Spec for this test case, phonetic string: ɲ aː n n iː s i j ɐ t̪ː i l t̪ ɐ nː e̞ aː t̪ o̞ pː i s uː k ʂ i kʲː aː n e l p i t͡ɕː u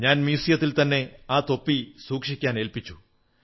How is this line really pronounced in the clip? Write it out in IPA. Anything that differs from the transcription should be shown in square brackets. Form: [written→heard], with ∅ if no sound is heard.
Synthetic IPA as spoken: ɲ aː n [n→m] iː s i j ɐ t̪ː i l t̪ ɐ nː e̞ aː t̪ o̞ pː i s uː k ʂ i kʲː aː n e l p i t͡ɕː u